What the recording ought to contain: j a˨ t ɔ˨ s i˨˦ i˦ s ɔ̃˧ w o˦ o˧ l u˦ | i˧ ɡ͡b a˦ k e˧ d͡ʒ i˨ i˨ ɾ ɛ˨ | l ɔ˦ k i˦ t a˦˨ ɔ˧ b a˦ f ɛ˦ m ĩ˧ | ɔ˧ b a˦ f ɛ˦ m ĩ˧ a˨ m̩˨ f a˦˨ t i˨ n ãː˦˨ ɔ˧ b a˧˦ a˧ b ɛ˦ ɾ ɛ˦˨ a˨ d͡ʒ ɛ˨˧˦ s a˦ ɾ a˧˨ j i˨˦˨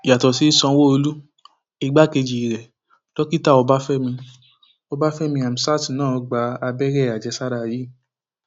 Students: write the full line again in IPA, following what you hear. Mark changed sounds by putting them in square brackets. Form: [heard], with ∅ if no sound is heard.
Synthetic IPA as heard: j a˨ t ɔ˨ s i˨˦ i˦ s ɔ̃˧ w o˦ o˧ l u˦ | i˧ ɡ͡b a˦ k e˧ d͡ʒ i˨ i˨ ɾ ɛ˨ | l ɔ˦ k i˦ t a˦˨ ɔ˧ b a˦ f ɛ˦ m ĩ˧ | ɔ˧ b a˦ f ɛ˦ m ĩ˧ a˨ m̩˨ [s] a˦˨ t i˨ n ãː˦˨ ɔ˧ [ɡ͡b] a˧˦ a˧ b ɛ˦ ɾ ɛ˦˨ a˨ d͡ʒ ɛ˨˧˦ s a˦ ɾ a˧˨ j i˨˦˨